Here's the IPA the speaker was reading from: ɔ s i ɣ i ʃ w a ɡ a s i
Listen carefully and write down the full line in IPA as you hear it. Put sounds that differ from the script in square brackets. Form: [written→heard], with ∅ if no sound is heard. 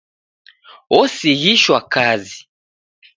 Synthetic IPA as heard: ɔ s i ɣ i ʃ w a [ɡ→k] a [s→z] i